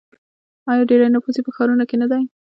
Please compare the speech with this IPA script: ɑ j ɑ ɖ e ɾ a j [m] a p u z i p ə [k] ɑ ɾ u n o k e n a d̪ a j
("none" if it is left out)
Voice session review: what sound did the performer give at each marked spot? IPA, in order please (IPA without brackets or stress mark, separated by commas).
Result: n, x